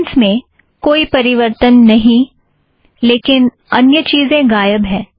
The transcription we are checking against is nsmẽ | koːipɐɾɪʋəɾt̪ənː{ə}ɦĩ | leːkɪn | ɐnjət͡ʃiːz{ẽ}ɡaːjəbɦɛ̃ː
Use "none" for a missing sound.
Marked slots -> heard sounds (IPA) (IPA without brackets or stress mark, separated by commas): ɐ, ẽ